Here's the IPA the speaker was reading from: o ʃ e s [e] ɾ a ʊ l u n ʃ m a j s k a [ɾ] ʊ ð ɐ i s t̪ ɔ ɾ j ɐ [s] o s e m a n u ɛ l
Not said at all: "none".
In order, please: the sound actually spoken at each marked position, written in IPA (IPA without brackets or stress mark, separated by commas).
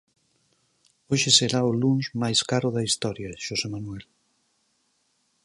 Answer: e, ɾ, ʃ